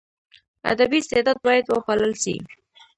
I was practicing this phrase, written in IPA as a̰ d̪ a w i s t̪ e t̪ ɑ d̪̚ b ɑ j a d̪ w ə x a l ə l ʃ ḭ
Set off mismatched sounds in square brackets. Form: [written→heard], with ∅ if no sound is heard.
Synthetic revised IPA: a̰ d̪ a [w→b] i s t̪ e [t̪→d̪] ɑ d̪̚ b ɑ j a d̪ w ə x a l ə l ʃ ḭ